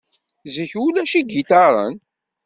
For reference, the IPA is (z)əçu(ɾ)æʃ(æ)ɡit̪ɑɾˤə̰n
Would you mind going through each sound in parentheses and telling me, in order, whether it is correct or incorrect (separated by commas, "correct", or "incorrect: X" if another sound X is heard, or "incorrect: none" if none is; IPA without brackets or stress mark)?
correct, incorrect: l, incorrect: i